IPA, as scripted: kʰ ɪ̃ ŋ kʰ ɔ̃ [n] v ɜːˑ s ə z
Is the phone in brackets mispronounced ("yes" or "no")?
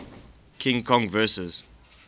yes